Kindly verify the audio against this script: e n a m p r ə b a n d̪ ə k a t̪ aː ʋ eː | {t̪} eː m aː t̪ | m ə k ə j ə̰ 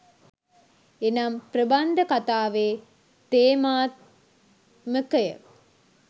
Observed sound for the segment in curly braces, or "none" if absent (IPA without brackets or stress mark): t̪